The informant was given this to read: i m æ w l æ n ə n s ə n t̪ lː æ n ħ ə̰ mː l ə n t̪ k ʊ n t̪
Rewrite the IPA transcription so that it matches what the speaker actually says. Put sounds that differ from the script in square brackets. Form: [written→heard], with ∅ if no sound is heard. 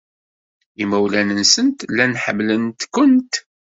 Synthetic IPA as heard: i m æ w l æ n ə n s ə n t̪ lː æ n ħ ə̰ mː l ə n t̪ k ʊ n t̪